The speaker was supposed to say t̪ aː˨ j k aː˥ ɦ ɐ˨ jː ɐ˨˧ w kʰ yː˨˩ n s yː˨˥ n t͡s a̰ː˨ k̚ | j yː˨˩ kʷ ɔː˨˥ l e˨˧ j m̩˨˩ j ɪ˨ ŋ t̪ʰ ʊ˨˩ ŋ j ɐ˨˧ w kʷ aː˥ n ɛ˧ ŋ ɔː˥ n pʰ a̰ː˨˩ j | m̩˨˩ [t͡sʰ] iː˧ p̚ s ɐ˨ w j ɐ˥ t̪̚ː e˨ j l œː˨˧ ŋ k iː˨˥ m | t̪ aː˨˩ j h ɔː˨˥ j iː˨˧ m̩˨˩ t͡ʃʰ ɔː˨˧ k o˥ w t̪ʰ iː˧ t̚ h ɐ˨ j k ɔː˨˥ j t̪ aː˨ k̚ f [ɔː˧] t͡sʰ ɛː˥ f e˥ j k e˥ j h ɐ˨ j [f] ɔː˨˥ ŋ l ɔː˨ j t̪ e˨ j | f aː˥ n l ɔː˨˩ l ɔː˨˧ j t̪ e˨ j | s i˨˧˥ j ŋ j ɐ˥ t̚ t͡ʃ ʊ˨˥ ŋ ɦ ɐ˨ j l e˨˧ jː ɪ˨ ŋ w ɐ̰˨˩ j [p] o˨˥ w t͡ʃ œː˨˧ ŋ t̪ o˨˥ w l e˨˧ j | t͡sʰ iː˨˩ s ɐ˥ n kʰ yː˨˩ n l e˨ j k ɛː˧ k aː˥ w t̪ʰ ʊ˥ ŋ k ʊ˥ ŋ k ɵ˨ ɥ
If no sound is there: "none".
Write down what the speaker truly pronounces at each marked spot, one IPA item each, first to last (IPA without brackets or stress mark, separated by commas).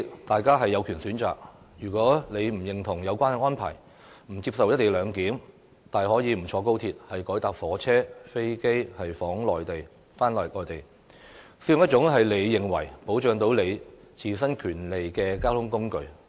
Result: t͡s, ɔː˨˥, f, p